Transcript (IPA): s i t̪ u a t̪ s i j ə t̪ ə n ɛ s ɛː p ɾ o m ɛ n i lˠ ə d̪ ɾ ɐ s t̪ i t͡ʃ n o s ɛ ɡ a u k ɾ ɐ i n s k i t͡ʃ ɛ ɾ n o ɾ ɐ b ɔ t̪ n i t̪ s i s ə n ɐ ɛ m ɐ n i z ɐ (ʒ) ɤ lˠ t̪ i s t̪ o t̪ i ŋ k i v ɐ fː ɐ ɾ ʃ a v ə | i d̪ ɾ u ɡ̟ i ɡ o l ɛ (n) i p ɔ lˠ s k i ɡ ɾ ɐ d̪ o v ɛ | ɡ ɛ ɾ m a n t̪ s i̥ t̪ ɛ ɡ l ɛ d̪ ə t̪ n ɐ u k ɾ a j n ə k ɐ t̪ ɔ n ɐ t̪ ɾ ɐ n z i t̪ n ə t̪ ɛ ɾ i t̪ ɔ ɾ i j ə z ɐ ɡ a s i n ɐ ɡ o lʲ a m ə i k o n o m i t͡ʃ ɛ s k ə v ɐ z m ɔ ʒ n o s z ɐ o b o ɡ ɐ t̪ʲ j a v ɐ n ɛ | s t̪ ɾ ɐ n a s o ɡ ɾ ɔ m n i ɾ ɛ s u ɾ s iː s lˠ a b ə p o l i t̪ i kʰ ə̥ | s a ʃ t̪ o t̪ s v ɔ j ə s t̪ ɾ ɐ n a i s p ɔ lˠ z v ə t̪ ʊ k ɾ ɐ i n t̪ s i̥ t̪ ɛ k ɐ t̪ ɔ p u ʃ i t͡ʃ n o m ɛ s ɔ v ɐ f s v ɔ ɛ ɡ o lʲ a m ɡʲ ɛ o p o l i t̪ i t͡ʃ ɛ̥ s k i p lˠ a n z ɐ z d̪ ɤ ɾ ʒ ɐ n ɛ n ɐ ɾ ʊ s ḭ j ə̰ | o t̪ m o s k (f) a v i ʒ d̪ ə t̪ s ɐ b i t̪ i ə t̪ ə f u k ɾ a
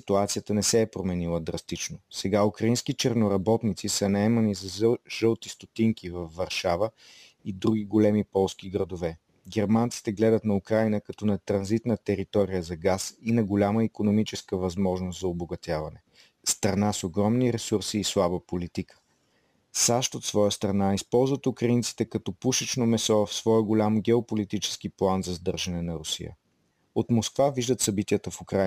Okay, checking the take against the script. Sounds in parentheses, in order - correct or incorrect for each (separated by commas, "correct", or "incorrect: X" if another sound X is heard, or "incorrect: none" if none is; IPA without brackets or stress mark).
correct, incorrect: m, incorrect: v